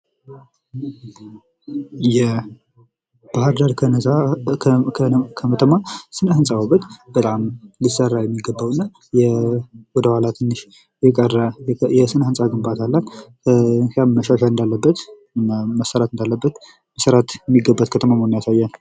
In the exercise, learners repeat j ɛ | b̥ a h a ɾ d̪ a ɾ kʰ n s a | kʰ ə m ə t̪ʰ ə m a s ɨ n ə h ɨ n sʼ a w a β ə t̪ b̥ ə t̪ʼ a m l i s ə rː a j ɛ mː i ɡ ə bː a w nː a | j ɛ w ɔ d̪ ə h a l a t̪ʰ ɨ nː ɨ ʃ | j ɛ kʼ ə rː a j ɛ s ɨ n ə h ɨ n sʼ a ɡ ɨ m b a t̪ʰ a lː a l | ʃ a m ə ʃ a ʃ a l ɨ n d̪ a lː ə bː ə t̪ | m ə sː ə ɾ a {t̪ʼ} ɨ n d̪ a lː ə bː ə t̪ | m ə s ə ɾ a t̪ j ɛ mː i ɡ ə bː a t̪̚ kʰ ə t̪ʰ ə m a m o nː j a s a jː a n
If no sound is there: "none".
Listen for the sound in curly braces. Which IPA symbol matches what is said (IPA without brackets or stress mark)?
t̪